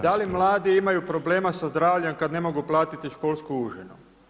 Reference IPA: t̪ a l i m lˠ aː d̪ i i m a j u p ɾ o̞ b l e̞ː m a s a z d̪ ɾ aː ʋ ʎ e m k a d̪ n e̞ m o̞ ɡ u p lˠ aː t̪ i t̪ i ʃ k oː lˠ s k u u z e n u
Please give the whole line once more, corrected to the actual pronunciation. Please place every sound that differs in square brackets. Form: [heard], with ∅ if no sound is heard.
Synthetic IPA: [d̪] a l i m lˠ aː d̪ i i m a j u p ɾ o̞ b l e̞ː m a s a z d̪ ɾ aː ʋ ʎ e m k a d̪ n e̞ m o̞ ɡ u p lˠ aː t̪ i t̪ i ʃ k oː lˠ s k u u [ʒ] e n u